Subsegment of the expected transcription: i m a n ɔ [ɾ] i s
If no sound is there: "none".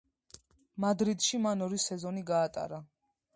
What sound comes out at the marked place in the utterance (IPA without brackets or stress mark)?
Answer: ɾ